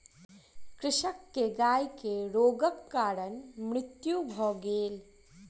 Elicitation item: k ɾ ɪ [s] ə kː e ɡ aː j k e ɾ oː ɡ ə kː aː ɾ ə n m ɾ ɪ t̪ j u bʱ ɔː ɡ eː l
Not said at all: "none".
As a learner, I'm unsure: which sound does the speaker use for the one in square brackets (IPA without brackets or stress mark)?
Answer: ʃ